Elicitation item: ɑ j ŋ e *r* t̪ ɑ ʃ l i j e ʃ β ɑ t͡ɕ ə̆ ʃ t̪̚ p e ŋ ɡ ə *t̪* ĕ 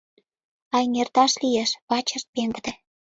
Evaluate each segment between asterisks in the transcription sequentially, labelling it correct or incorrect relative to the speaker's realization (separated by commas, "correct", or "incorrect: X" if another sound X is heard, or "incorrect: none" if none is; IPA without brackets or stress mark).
correct, incorrect: d̪